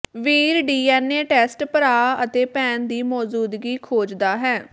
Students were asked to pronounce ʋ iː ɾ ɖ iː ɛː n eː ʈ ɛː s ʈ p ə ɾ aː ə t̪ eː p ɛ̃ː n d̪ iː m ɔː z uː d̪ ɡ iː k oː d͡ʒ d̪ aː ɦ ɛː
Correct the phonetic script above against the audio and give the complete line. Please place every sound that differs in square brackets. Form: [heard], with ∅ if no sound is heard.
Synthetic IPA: ʋ iː ɾ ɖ iː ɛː n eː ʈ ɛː s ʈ p ə ɾ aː ə t̪ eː p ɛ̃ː n d̪ iː m ɔː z uː d̪ ɡ iː [kʰ] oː d͡ʒ d̪ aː ɦ ɛː